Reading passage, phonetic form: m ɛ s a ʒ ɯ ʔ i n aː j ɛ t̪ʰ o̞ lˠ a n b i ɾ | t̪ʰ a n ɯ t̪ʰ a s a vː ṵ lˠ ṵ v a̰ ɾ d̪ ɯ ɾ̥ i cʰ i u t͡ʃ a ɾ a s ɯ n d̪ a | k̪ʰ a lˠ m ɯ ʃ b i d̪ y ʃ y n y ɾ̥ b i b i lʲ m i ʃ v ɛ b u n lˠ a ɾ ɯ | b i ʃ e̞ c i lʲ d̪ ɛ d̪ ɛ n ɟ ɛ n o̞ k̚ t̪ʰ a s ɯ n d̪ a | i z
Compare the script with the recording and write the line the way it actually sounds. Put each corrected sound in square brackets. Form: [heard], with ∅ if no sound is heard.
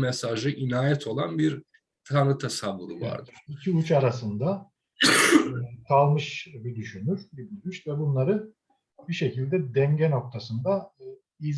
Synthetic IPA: m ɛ s a ʒ ɯ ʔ i n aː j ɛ t̪ʰ o̞ lˠ a n b i ɾ | t̪ʰ a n ɯ t̪ʰ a s a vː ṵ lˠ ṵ v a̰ ɾ d̪ ɯ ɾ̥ i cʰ i u t͡ʃ a ɾ a s ɯ n d̪ a | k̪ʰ a lˠ m ɯ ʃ b i d̪ y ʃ y n y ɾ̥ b i b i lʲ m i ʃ v ɛ b u n lˠ a ɾ ɯ | b i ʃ e̞ c i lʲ d̪ ɛ d̪ ɛ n ɟ ɛ n o̞ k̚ t̪ʰ a s ɯ n d̪ a | i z